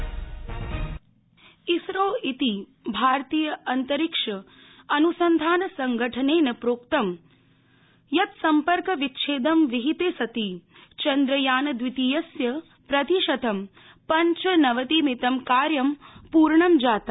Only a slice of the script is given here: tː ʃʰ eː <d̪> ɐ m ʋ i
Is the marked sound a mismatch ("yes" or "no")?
no